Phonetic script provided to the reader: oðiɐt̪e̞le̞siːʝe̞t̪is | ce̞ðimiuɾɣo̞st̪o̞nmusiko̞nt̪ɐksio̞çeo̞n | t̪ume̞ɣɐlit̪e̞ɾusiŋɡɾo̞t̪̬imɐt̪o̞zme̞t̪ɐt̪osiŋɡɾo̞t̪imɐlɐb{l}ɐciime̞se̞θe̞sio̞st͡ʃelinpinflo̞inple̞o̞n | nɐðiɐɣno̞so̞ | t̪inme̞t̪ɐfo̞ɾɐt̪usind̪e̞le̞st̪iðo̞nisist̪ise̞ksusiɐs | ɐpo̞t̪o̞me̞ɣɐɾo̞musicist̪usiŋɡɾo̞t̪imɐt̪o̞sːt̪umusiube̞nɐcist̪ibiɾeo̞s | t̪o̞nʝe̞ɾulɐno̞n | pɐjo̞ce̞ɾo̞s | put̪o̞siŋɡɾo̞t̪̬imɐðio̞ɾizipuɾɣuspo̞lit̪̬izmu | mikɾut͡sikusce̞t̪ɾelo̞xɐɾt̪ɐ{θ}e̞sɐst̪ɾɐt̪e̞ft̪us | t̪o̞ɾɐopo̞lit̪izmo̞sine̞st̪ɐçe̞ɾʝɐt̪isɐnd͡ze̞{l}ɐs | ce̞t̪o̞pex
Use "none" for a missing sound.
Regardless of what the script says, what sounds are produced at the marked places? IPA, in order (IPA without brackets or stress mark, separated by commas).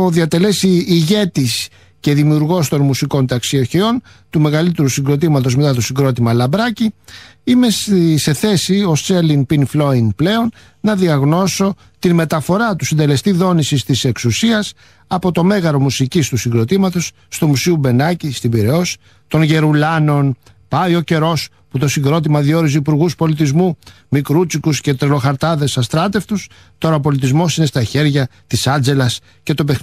ɾ, ð, l